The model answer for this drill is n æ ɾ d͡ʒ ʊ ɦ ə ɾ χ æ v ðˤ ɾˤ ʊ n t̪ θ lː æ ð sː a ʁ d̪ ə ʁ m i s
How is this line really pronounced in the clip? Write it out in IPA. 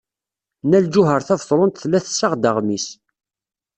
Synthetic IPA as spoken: n æ l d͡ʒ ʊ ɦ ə ɾ θ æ v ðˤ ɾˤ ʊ n t̪ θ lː æ θ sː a ʁ d̪ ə ʁ m i s

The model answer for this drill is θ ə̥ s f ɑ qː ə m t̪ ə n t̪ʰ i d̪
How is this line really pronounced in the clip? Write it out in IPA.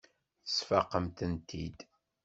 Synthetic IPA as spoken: θ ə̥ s f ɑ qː ə m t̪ ə n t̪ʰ i d̪

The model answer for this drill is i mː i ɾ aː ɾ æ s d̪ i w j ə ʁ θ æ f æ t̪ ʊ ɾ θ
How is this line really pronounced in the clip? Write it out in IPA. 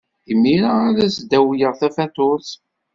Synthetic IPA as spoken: i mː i ɾ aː ɾ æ s d̪ æ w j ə ʁ θ æ f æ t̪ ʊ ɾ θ

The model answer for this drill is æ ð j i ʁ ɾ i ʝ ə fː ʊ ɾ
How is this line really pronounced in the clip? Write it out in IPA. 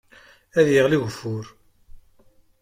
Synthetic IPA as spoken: æ ð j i ʁ l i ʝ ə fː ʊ ɾ

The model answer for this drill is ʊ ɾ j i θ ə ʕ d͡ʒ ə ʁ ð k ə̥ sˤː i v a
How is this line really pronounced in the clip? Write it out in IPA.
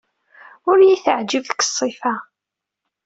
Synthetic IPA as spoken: ʊ ɾ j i θ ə ʕ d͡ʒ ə v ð k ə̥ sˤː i f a

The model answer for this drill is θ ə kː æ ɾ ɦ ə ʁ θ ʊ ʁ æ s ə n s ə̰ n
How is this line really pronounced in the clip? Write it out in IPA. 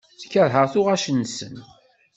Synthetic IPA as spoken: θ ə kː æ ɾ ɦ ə ʁ θ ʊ ʁ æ ʃ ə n s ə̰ n

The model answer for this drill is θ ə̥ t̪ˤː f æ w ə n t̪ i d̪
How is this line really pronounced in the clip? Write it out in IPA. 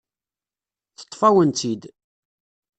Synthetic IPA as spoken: θ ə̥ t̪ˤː f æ w ə n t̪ i d̪

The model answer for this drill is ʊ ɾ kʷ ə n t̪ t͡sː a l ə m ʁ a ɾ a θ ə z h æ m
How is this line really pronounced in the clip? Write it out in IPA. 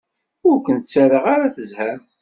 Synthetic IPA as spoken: ʊ ɾ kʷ ə n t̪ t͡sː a ɾ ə ʁ a ɾ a θ ə z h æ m

